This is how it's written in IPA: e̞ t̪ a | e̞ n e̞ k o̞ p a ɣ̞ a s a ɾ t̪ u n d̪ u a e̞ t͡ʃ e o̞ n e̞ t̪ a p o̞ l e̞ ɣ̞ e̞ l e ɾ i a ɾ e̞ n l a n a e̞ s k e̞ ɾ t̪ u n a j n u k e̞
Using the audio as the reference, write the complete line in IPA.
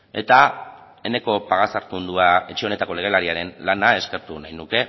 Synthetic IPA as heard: e̞ t̪ a | e̞ n e̞ k o̞ p a ɣ̞ a s a ɾ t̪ u n d̪ u a e̞ t͡ʃ e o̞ n e̞ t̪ a k o̞ l e̞ ɣ̞ e̞ l a ɾ i a ɾ e̞ n l a n a e̞ s k e̞ ɾ t̪ u n a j n u k e̞

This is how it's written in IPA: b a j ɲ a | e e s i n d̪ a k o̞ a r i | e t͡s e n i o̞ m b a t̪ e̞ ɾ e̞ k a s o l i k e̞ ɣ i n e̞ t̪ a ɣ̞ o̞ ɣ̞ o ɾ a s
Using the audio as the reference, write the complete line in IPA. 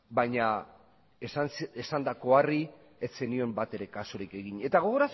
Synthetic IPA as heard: b a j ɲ a | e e s a n d̪ a k o̞ a r i | e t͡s e n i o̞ m b a t̪ e̞ ɾ e̞ k a s o ɾ i k e̞ ɣ i ɲ e̞ t̪ a ɣ̞ o̞ ɣ̞ o ɾ a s

